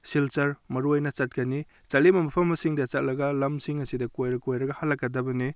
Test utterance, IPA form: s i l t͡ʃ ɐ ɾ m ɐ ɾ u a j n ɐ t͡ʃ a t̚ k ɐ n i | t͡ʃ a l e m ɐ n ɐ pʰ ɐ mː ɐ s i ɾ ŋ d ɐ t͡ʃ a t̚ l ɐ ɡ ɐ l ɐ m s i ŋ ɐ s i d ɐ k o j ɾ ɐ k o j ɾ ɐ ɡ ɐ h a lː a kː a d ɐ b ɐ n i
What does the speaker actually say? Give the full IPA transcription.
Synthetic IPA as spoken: s i l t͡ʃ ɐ ɾ m ɐ ɾ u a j n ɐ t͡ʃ a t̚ k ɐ n i | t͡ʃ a l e m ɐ m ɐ pʰ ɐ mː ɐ s i ŋ d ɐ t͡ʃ a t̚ l ɐ ɡ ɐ l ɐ m s i ŋ ɐ s i d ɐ k o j ɾ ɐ k o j ɾ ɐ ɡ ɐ h a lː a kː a d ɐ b ɐ n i